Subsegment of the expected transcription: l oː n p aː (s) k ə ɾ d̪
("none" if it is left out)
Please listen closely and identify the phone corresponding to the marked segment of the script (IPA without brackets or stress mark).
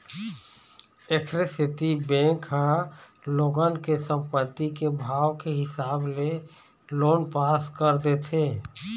s